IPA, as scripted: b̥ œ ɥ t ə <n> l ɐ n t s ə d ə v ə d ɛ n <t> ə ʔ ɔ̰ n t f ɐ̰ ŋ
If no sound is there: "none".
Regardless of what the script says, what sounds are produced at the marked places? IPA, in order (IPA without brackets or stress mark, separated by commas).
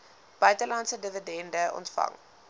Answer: none, d